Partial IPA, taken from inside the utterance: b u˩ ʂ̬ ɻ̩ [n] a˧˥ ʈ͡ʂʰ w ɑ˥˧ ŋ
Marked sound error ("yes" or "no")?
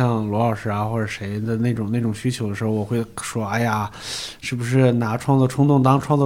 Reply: no